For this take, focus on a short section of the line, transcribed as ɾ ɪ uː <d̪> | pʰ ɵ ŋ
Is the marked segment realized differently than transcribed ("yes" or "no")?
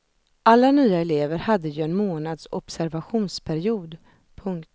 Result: no